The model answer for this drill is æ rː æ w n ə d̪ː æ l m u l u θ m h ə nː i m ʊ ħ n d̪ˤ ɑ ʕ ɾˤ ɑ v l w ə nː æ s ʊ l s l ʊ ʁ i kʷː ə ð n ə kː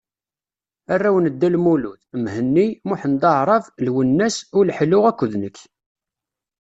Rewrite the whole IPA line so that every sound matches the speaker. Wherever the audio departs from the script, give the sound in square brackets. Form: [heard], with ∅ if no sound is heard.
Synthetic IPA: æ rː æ w n ə d̪ː æ l m u l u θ m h ə nː i m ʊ ħ n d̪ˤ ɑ ʕ ɾˤ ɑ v l w ə nː æ s ʊ l [ħ] l ʊ ʁ [æ] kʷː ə ð n ə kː